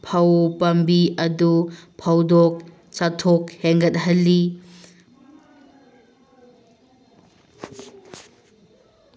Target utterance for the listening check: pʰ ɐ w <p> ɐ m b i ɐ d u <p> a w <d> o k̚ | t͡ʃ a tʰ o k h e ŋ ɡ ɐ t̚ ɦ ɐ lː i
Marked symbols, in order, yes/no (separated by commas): yes, no, yes